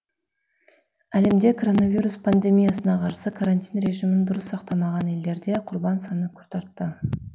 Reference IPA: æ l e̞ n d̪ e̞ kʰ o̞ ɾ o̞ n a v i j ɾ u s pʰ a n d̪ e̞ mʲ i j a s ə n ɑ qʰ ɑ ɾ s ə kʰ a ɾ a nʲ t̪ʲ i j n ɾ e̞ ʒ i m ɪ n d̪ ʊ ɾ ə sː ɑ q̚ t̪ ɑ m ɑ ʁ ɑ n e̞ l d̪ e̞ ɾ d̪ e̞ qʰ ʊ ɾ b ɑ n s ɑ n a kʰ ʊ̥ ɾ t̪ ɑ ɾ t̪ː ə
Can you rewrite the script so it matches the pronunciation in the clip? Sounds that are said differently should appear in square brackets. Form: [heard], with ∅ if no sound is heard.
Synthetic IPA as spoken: æ l e̞ [m] d̪ e̞ kʰ o̞ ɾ o̞ n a v i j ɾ u s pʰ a n d̪ e̞ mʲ i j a s ə n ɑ qʰ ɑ ɾ s ə kʰ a ɾ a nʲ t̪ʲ i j n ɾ e̞ ʒ i m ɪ n d̪ ʊ ɾ ə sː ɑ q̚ t̪ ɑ m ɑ ʁ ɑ n e̞ l d̪ e̞ ɾ d̪ e̞ qʰ ʊ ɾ b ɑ n s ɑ n [ə] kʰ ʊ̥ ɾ t̪ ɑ ɾ t̪ː ə